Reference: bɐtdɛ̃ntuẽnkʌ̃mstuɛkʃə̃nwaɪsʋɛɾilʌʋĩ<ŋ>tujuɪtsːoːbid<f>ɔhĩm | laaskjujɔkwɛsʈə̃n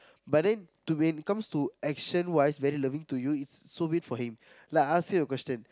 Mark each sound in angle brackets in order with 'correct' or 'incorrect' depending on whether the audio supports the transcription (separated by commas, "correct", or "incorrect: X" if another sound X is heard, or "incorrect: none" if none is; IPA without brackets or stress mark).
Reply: correct, correct